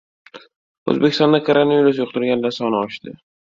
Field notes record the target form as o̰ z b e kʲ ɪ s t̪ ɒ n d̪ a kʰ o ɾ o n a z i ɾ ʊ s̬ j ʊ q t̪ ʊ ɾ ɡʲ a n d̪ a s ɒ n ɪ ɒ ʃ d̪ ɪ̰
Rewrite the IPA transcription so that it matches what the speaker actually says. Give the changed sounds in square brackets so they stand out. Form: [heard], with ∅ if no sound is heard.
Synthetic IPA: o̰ z b e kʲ ɪ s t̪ ɒ n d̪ a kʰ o ɾ o n a [v] i ɾ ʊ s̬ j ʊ q t̪ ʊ ɾ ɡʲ a n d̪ a s ɒ n ɪ ɒ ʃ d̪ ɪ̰

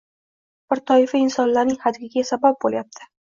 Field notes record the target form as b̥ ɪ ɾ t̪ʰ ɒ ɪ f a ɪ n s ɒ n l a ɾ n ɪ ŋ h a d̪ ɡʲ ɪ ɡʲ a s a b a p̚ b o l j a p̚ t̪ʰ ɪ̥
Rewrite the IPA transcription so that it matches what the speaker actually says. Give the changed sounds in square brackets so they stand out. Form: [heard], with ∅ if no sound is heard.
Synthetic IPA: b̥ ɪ ɾ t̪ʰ ɒ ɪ f a ɪ n s ɒ n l a ɾ n ɪ ŋ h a d̪ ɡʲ ɪ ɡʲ a s a b a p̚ b o l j a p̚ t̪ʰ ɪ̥

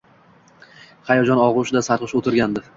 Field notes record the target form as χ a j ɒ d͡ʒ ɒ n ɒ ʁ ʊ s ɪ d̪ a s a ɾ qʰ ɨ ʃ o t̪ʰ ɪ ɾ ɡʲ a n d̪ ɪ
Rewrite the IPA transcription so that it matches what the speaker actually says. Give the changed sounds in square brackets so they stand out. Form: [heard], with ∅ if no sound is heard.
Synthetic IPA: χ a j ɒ d͡ʒ ɒ n ɒ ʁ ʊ [ʃ] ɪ d̪ a s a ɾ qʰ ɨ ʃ o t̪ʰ ɪ ɾ ɡʲ a n d̪ ɪ

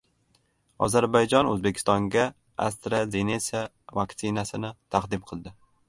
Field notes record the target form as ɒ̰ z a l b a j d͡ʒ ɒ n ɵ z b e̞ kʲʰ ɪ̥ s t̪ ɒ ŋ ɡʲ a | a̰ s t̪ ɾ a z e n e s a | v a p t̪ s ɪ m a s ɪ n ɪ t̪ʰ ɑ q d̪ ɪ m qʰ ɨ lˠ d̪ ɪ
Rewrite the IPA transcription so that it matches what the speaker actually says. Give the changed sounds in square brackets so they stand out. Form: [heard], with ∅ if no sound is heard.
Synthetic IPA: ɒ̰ z a [ɾ] b a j d͡ʒ ɒ n ɵ z b e̞ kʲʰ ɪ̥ s t̪ ɒ ŋ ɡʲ a | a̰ s t̪ ɾ a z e n e s a | v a [k] t̪ s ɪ [n] a s ɪ n ɪ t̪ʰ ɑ q d̪ ɪ m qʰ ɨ lˠ d̪ ɪ

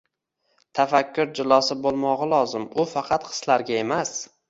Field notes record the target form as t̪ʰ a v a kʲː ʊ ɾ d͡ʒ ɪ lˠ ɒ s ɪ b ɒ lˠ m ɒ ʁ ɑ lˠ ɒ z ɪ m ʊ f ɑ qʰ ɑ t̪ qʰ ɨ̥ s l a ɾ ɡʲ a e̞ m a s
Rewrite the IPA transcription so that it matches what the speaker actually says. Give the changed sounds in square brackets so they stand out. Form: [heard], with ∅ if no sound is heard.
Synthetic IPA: t̪ʰ a [f] a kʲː ʊ ɾ d͡ʒ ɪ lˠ ɒ s ɪ b [o] lˠ m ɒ ʁ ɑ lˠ ɒ z ɪ m ʊ f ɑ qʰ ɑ t̪ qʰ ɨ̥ s l a ɾ ɡʲ a e̞ m a s

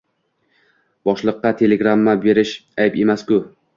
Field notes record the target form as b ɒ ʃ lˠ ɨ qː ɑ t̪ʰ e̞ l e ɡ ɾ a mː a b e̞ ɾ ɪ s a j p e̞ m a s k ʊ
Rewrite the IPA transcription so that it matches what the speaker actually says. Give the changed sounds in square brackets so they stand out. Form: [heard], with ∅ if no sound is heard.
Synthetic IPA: b ɒ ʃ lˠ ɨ qː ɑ t̪ʰ e̞ l e ɡ ɾ a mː a b e̞ ɾ ɪ [ʃ] a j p e̞ m a s k ʊ

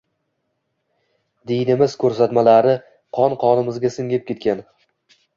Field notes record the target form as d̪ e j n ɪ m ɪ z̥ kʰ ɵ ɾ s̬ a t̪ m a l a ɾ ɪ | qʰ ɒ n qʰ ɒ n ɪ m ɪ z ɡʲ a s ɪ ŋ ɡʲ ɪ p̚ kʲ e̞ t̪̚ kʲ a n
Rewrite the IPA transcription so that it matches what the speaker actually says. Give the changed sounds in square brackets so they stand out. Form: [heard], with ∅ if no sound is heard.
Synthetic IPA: d̪ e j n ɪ m ɪ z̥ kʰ ɵ ɾ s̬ a t̪ m a l a ɾ ɪ | qʰ ɒ n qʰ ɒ n ɪ m ɪ z ɡʲ a s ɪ ŋ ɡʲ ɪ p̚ kʲ e̞ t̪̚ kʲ a n

